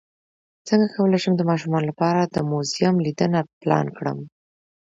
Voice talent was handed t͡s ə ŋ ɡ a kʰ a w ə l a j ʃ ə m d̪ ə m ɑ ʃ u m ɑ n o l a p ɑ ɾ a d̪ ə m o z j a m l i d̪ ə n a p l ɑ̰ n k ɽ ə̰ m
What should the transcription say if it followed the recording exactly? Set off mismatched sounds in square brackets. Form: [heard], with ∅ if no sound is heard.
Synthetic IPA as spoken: t͡s ə ŋ ɡ a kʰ a w ə l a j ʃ ə m d̪ ə m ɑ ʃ u m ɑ n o l a p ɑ ɾ a d̪ ə m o z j a m l i d̪ ə n a p l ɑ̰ n k ɽ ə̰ m